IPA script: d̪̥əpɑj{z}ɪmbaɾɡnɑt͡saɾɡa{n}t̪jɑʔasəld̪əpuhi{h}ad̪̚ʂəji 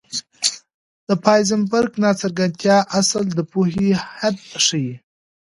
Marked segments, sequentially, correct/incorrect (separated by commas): correct, correct, correct